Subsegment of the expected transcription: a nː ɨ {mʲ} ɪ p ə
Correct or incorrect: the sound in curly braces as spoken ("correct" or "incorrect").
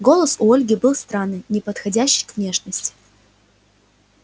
incorrect